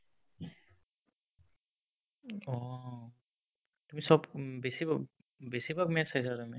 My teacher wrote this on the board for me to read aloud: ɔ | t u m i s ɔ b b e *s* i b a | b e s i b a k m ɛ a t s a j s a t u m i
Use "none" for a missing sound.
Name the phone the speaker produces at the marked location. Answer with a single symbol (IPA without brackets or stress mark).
s